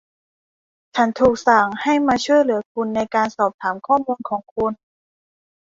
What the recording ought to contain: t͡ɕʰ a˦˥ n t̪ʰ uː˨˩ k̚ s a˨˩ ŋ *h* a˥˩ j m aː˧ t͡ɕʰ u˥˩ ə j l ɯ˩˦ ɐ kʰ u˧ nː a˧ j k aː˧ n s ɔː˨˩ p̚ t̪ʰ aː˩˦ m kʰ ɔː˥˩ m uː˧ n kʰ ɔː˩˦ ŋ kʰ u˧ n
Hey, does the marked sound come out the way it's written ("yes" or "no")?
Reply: yes